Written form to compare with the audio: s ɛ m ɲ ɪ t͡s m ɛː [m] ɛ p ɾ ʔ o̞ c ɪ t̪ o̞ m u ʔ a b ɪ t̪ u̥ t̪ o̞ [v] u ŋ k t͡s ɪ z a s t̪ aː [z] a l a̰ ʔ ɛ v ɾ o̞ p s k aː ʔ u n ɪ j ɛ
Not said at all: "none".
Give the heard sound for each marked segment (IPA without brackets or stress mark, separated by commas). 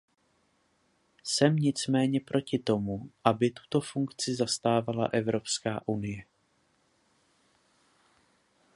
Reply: ɲ, f, v